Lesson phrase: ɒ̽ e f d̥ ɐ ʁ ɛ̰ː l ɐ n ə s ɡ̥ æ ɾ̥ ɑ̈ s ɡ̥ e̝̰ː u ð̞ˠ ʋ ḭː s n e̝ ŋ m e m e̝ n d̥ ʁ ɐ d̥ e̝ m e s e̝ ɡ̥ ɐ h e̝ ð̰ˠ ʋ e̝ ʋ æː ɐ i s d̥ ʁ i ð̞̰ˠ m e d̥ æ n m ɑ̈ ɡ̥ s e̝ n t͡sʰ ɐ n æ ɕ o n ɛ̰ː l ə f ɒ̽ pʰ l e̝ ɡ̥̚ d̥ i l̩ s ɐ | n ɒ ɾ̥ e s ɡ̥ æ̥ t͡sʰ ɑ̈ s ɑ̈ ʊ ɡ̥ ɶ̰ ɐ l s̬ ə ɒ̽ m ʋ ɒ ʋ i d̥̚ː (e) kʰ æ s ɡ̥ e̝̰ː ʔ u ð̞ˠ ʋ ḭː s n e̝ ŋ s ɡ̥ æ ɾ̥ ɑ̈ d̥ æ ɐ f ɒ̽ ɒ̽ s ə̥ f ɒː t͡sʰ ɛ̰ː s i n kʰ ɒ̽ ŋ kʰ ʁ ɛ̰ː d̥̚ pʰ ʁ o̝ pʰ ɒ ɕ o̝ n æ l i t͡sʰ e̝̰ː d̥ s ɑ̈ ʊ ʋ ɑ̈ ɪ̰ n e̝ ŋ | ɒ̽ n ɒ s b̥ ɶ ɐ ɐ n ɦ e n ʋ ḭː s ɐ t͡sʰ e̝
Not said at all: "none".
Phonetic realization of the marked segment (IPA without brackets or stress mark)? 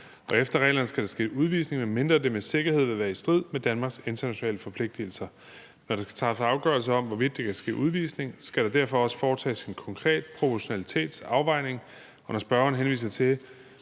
e